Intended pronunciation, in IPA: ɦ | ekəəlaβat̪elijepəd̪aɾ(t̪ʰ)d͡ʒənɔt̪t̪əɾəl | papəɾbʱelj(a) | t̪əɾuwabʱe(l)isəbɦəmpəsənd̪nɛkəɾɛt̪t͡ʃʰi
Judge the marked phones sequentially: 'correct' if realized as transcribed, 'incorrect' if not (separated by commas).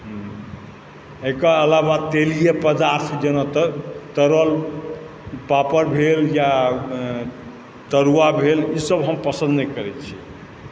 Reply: correct, correct, correct